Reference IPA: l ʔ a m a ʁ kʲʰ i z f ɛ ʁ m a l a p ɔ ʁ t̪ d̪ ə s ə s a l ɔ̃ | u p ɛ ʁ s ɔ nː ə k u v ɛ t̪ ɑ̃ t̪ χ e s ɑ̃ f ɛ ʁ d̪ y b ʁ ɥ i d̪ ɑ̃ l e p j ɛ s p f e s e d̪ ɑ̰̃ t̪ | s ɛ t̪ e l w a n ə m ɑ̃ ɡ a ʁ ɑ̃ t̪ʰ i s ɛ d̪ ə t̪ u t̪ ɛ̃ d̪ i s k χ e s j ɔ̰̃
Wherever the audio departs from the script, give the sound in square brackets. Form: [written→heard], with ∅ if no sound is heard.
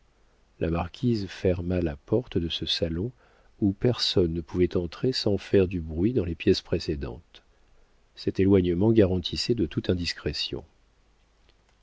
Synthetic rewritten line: l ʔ a m a ʁ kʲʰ i z f ɛ ʁ m a l a p ɔ ʁ t̪ d̪ ə s ə s a l ɔ̃ | u p ɛ ʁ s ɔ nː ə [k→p] u v ɛ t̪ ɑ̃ t̪ χ e s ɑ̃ f ɛ ʁ d̪ y b ʁ ɥ i d̪ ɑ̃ l e p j ɛ s p [f→χ] e s e d̪ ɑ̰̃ t̪ | s ɛ t̪ e l w a [n→ɲ] ə m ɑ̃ ɡ a ʁ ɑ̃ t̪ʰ i s ɛ d̪ ə t̪ u t̪ ɛ̃ d̪ i s k χ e s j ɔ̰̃